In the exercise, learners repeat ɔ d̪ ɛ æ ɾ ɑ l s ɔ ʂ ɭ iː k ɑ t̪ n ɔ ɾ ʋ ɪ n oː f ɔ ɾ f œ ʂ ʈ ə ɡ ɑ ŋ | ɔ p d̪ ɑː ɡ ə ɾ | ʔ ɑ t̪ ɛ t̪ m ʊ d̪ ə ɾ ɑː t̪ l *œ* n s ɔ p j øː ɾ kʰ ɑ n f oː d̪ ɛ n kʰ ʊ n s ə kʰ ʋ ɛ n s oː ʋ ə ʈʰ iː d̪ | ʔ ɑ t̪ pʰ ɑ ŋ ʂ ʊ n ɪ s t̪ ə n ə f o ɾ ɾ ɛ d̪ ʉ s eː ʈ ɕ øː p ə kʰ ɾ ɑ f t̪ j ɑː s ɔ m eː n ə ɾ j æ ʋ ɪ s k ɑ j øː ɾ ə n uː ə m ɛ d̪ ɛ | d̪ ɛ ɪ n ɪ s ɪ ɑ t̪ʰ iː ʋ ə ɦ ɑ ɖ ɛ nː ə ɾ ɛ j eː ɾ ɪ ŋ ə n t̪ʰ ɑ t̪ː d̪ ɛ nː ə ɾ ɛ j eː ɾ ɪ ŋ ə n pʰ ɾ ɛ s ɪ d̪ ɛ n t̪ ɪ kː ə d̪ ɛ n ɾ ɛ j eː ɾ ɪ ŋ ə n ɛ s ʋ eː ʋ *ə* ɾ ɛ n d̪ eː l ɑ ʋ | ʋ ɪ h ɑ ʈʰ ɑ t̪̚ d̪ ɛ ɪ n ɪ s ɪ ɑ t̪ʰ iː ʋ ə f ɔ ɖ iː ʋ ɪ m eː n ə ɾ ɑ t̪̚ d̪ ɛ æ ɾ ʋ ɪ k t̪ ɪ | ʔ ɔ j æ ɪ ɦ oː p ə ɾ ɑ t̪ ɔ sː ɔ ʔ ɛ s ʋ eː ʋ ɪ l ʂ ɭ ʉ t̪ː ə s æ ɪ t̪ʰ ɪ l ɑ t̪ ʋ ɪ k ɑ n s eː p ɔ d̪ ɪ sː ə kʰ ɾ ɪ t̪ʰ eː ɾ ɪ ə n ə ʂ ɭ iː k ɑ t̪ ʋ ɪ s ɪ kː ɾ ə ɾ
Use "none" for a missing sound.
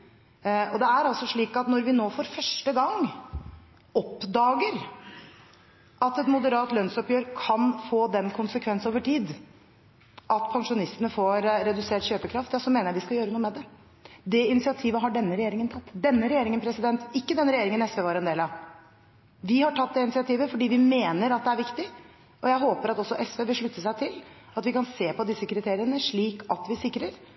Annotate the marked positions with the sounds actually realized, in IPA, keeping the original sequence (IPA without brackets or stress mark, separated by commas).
œ, ɑ